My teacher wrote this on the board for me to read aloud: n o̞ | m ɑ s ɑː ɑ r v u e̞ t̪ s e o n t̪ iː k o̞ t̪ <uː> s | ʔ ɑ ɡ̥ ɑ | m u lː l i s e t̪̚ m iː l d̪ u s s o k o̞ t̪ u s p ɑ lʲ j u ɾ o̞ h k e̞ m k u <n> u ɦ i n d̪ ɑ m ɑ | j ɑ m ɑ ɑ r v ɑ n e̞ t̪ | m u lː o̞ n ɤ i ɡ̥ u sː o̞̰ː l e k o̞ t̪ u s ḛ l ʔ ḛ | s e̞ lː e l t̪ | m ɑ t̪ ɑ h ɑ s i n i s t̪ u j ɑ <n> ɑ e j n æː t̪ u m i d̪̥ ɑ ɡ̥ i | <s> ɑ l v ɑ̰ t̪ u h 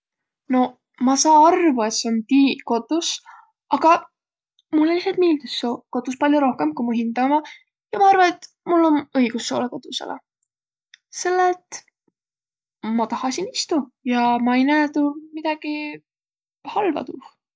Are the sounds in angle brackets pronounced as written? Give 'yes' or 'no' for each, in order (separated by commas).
no, no, no, no